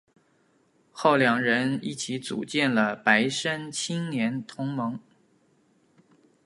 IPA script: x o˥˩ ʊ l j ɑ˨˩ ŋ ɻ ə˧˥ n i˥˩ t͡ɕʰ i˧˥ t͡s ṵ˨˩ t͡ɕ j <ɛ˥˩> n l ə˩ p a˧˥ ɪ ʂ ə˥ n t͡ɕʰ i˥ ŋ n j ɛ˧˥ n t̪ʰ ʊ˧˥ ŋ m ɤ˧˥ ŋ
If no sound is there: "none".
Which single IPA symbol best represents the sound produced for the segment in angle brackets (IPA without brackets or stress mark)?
ɛ˥˩